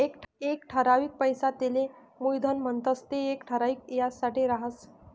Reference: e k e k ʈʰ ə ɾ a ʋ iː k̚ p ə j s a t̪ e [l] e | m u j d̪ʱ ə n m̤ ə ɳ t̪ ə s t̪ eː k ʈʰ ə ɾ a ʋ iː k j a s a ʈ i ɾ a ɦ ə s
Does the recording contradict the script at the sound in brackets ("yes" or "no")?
no